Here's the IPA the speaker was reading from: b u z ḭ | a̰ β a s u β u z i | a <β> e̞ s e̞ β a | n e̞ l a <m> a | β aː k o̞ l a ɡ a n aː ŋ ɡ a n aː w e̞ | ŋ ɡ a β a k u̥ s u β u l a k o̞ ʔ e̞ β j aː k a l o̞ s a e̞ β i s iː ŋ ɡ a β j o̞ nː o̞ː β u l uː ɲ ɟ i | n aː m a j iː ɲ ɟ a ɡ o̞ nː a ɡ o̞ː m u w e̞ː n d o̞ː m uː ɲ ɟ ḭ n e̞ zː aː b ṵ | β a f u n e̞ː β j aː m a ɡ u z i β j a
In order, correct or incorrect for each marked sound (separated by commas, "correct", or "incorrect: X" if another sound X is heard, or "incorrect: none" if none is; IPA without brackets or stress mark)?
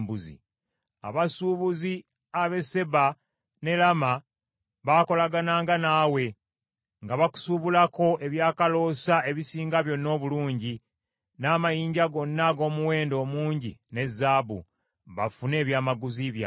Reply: correct, correct